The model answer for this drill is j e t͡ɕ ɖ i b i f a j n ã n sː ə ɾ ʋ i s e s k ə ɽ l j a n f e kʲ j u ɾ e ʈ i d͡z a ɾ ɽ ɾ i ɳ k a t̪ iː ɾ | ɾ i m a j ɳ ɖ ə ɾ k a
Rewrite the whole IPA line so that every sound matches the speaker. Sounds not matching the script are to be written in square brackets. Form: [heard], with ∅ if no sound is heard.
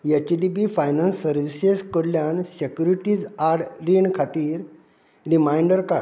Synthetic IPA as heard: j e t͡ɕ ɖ i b i f a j n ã n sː ə ɾ ʋ i s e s k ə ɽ l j a n [s] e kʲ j u ɾ [i] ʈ i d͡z a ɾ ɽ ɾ i ɳ [kʰ] a t̪ iː ɾ | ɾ i m a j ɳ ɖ ə ɾ k a